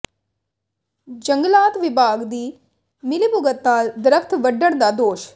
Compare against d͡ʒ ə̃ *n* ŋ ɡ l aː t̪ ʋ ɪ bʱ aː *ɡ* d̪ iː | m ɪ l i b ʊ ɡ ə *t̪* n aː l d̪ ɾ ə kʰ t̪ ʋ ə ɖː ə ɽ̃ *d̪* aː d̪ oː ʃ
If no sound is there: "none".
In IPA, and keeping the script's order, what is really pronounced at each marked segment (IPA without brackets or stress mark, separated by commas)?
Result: none, ɡ, t̪, d̪